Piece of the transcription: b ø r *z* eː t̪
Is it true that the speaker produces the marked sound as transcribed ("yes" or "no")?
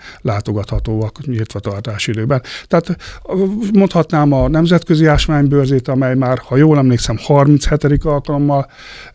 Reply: yes